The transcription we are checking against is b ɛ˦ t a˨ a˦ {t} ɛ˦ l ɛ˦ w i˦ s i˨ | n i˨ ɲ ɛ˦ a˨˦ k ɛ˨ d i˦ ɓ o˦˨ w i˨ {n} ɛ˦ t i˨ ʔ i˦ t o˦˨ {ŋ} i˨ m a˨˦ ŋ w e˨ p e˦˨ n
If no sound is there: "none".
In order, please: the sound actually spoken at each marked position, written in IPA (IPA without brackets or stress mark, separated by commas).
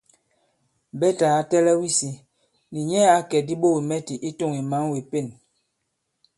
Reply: t, m, ŋ